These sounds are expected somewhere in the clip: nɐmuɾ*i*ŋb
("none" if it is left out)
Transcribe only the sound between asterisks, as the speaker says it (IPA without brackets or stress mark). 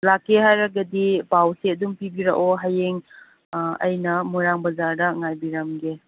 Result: a